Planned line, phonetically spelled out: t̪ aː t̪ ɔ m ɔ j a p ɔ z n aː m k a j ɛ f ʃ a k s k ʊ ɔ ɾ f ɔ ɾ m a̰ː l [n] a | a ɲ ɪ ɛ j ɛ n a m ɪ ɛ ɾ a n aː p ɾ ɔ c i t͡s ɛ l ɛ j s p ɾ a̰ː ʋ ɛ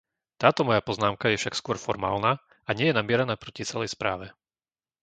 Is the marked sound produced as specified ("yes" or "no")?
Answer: yes